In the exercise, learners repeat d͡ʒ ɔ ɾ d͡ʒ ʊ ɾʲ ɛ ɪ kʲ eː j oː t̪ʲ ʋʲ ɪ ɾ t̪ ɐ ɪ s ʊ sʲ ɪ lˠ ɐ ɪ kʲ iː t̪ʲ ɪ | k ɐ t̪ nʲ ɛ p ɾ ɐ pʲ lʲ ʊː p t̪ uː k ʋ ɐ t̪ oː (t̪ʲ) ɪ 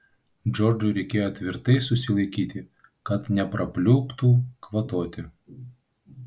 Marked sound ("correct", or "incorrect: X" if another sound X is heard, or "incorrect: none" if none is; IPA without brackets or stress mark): correct